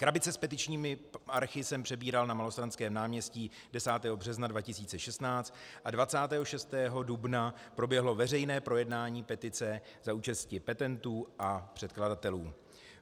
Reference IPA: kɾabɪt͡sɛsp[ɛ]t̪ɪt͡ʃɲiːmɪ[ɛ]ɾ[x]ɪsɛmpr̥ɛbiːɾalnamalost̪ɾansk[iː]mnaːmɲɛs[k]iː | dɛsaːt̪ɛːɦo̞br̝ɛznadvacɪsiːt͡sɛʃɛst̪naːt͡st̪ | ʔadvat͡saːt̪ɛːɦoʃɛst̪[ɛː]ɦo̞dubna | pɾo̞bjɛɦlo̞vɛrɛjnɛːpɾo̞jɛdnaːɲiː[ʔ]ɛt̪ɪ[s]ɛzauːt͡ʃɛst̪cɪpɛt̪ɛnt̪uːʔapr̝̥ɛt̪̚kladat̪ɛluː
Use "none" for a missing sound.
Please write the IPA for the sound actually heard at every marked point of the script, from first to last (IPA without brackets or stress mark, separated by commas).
ɛ, a, x, ɛː, c, ɛː, p, t͡s